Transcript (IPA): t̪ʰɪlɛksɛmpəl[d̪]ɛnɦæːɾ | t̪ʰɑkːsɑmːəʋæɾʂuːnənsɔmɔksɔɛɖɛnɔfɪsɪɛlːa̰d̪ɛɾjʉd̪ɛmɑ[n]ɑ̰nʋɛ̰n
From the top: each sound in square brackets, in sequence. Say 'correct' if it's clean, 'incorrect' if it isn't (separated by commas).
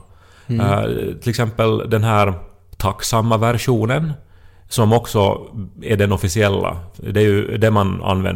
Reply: correct, correct